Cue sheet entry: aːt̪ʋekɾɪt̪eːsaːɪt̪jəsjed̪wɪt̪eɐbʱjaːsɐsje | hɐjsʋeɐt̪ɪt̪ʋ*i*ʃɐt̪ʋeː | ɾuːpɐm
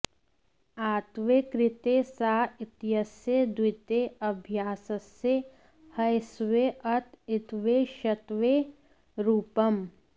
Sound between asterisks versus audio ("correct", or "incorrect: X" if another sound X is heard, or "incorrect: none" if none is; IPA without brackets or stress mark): incorrect: e